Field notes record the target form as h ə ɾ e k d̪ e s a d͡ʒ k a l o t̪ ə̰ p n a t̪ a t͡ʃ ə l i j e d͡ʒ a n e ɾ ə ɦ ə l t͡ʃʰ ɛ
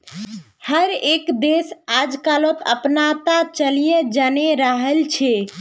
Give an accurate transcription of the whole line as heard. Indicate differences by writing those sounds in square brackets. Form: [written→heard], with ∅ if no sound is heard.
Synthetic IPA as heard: h ə ɾ e k d̪ e s a d͡ʒ k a l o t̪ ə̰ p n a t̪ a t͡ʃ ə l i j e d͡ʒ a n e ɾ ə ɦ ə l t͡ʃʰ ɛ